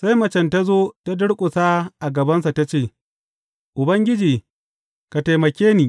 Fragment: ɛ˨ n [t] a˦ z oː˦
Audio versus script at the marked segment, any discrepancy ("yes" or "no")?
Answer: no